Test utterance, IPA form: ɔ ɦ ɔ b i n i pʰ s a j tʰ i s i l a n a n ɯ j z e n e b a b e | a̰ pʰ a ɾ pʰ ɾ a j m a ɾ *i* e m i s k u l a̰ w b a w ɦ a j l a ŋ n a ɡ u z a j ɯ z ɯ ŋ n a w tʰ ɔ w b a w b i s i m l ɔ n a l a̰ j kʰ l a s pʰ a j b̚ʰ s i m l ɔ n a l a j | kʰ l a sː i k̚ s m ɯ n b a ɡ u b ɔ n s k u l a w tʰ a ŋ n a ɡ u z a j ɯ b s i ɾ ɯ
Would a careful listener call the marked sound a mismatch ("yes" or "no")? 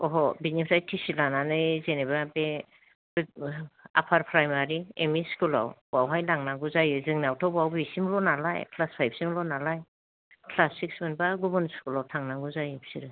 no